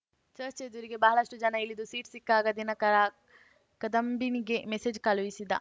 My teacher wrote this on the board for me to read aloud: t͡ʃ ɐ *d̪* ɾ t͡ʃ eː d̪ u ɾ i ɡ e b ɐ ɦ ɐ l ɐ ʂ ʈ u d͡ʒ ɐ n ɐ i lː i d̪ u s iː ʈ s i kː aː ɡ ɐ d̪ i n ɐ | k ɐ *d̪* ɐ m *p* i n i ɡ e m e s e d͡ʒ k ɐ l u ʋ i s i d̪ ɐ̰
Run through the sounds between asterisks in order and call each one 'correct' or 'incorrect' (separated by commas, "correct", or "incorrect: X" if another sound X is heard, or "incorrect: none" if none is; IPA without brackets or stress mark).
incorrect: none, correct, incorrect: b